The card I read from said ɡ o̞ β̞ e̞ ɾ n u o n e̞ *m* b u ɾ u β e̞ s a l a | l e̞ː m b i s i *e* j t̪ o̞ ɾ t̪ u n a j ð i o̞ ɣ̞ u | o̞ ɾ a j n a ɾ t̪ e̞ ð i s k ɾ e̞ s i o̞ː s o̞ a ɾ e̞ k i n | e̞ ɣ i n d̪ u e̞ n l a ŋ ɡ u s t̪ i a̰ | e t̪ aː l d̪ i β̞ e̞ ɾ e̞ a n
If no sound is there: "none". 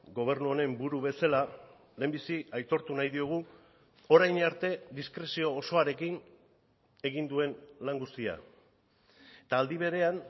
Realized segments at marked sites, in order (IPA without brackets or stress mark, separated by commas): m, a